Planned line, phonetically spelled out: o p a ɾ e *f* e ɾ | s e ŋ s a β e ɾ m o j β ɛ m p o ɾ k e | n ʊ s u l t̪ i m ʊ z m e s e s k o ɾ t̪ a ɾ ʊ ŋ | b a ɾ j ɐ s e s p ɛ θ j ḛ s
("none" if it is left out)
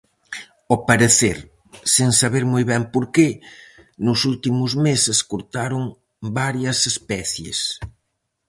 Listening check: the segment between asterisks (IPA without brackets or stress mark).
θ